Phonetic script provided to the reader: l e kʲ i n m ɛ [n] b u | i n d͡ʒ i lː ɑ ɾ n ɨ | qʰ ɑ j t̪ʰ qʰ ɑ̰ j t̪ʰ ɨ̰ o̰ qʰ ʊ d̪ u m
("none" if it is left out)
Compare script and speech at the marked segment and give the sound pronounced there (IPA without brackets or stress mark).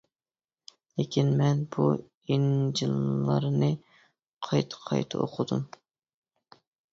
n